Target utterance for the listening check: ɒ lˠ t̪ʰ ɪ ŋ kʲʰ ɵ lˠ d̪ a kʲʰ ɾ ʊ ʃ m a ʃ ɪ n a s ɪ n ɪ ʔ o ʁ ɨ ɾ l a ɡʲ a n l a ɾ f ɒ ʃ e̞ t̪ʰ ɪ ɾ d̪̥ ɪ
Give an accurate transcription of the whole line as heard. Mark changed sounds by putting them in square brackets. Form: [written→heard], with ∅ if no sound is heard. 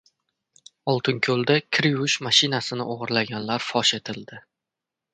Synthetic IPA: ɒ lˠ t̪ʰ ɪ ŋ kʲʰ ɵ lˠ d̪ a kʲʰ ɾ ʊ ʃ m a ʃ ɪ n a s ɪ n ɪ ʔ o ʁ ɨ ɾ l a ɡʲ a n l a ɾ f ɒ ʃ e̞ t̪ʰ ɪ [ɾ→l] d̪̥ ɪ

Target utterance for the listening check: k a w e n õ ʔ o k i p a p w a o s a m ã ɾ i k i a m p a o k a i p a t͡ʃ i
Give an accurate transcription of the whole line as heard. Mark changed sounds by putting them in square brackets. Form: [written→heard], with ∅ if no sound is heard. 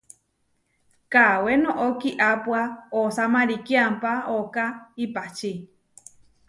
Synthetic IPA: k a w e n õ ʔ o k i [p→ʔ] a p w a o s a m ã ɾ i k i a m p a o k a i p a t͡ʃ i

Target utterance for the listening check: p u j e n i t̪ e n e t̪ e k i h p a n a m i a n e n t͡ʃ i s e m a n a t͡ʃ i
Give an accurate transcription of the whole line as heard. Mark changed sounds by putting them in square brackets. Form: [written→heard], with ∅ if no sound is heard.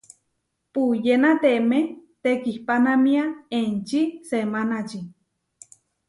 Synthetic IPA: p u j e n [i→a] t̪ e [n→m] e t̪ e k i h p a n a m i a [n→∅] e n t͡ʃ i s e m a n a t͡ʃ i

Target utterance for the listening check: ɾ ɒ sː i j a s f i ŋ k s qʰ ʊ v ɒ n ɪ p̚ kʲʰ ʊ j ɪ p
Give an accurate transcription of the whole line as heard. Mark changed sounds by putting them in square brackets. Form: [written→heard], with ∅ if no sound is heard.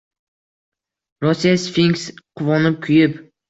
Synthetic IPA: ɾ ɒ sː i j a s f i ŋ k s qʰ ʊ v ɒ n ɪ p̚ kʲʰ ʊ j ɪ p

